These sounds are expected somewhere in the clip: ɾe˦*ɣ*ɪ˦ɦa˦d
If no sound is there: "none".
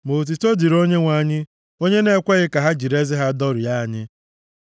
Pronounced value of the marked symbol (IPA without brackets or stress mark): z